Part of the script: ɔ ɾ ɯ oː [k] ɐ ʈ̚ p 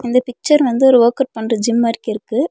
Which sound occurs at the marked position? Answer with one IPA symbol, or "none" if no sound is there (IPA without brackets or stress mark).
k